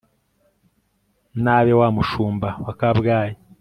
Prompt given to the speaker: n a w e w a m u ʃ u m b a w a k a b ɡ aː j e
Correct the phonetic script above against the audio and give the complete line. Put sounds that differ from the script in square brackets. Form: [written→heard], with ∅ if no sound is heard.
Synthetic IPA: n a [w→β] e w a m u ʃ [u→uː] m b a w a k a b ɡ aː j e